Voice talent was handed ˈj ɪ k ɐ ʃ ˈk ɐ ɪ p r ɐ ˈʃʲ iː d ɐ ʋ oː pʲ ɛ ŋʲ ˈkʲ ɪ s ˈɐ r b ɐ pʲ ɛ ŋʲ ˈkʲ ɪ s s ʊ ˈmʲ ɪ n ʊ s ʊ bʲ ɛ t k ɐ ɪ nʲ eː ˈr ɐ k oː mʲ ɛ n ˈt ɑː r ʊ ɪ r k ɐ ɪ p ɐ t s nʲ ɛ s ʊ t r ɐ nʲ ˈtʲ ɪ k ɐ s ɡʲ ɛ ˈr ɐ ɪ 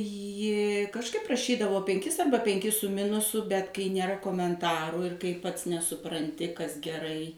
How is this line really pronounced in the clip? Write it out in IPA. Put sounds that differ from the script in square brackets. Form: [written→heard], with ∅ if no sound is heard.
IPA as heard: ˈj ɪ k ɐ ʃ ˈk ɐ ɪ p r ɐ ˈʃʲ iː d ɐ ʋ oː pʲ ɛ ŋʲ ˈkʲ ɪ s ˈɐ r b ɐ pʲ ɛ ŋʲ ˈkʲ ɪ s s ʊ ˈmʲ ɪ n ʊ s ʊ bʲ ɛ t k ɐ ɪ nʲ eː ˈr ɐ k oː mʲ ɛ n ˈt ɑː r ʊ ɪ r k ɐ ɪ p ɐ t s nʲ ɛ s ʊ [t→p] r ɐ nʲ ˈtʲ ɪ k ɐ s ɡʲ ɛ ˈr ɐ ɪ